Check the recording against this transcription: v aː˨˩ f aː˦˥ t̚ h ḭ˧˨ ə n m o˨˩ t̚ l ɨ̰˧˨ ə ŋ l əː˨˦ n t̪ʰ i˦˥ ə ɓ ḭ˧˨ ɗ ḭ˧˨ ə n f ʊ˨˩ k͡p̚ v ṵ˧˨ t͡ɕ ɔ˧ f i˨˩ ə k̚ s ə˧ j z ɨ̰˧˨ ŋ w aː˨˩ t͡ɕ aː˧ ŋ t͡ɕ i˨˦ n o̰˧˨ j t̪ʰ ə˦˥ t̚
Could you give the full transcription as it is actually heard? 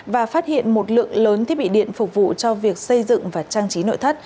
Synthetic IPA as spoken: v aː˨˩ f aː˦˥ t̚ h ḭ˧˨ ə n m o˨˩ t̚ l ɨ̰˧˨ ə ŋ l əː˨˦ n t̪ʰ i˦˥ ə ɓ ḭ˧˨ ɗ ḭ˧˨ ə n f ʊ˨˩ k͡p̚ v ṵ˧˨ t͡ɕ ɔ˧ v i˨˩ ə k̚ s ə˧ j z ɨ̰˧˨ ŋ v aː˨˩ t͡ɕ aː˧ ŋ t͡ɕ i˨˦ n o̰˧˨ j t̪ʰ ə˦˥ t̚